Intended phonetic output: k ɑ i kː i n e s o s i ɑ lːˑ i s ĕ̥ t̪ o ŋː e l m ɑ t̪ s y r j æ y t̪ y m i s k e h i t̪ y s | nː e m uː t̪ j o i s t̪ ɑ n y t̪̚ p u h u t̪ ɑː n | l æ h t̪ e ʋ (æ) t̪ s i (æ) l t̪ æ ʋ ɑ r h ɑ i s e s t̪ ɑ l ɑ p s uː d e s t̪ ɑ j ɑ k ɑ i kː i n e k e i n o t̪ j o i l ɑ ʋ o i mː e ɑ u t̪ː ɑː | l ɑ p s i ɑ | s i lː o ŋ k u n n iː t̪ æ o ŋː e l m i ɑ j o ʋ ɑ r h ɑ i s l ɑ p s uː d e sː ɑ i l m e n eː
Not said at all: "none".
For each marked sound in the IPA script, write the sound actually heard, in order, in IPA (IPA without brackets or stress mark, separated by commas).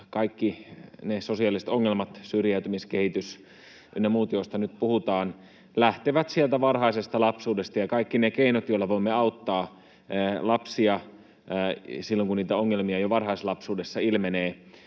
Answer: æ, e